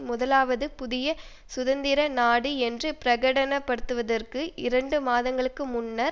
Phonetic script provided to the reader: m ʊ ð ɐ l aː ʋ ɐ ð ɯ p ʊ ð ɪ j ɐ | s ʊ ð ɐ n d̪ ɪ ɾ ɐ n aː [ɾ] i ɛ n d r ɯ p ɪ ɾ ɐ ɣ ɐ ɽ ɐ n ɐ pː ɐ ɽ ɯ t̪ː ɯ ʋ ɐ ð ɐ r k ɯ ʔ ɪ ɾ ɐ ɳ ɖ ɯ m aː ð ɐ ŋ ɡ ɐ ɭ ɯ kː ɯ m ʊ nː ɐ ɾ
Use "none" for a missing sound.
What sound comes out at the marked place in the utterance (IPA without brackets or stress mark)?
ɽ